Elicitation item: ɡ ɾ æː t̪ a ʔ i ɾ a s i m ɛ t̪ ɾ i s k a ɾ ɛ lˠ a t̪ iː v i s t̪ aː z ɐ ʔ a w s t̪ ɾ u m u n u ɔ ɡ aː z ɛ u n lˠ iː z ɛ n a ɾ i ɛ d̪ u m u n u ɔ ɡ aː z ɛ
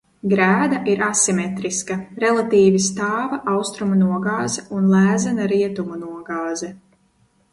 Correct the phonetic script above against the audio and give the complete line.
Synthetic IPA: ɡ ɾ æː d̪ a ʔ i ɾ a s i m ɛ t̪ ɾ i s k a ɾ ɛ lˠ a t̪ iː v i s t̪ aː v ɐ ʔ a w s t̪ ɾ u m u n u ɔ ɡ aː z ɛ u n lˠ æː z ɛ n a ɾ i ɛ t̪ u m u n u ɔ ɡ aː z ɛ